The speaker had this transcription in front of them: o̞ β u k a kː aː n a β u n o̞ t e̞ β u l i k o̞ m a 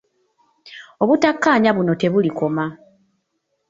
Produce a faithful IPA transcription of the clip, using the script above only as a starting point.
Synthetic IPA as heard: o̞ β u t a kː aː ɲ a β u n o̞ t e̞ β u l i k o̞ m a